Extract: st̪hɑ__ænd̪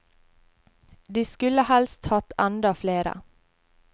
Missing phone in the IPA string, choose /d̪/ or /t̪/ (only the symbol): t̪